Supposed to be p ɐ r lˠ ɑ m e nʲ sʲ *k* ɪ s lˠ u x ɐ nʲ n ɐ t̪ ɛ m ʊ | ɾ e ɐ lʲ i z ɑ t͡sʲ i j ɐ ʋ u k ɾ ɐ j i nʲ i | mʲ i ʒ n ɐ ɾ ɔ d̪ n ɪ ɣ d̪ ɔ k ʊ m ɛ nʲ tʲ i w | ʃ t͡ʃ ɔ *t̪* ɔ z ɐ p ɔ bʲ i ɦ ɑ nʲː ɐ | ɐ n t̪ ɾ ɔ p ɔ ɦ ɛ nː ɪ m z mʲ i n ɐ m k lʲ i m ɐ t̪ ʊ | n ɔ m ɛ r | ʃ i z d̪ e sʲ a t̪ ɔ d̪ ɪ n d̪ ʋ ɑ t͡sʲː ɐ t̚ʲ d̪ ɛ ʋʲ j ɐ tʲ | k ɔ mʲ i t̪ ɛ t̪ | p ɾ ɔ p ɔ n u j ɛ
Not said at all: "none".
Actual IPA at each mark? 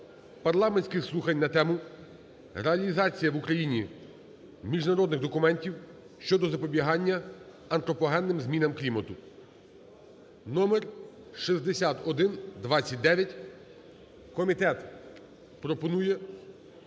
k, d̪

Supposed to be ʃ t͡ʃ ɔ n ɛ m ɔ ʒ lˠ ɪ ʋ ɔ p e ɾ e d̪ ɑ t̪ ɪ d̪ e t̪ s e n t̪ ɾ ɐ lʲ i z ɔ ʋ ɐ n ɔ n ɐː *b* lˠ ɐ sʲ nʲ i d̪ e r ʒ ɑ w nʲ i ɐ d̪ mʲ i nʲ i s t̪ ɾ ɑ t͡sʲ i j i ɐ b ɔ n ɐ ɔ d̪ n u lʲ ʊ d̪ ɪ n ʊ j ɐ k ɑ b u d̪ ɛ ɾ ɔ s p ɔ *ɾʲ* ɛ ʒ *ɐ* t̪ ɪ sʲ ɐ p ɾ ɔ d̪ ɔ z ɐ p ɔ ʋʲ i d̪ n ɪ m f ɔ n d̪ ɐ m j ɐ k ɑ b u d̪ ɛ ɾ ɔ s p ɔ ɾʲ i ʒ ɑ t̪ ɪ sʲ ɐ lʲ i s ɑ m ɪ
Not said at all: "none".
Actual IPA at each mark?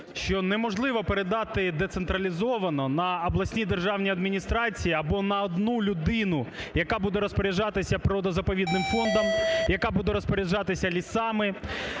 b, ɾʲ, ɑ

